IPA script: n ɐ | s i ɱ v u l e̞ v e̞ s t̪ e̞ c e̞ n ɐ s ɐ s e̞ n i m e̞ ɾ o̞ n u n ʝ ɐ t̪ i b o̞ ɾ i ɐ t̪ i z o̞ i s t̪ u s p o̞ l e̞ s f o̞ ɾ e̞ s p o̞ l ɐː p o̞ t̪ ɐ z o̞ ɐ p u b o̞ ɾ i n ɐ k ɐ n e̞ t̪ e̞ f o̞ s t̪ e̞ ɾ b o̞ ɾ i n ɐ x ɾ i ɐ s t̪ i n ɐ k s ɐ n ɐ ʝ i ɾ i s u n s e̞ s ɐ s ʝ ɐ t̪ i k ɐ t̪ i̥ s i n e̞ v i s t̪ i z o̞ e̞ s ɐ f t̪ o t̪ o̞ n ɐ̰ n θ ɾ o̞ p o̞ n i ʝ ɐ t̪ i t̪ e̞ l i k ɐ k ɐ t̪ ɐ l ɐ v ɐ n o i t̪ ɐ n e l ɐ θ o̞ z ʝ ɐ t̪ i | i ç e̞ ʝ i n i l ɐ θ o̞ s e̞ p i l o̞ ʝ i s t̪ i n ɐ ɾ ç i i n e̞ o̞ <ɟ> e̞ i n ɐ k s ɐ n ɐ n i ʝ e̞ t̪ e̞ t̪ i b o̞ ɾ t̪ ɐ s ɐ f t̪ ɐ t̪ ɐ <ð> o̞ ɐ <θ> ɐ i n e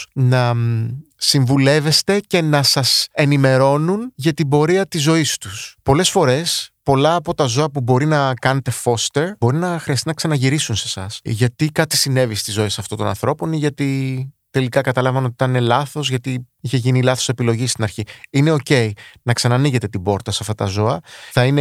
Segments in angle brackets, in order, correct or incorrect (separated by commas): incorrect, incorrect, correct